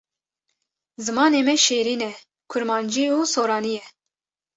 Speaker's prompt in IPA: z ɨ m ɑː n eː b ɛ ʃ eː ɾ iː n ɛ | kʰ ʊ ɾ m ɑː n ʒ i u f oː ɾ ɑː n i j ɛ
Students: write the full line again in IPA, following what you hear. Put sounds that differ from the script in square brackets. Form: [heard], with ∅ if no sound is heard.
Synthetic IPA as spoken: z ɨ m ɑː n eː [m] ɛ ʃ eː ɾ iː n ɛ | kʰ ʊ ɾ m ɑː n [d͡ʒ] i u [s] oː ɾ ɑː n i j ɛ